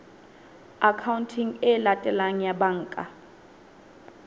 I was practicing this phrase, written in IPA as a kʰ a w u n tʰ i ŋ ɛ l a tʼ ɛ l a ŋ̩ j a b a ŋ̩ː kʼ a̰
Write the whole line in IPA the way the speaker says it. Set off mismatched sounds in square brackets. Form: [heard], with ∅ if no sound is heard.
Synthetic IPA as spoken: a kʰ a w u n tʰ i ŋ ɛ l a tʼ ɛ l a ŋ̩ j a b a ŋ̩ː kʼ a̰